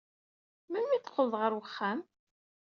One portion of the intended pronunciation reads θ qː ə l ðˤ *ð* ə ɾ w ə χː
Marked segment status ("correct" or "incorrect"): incorrect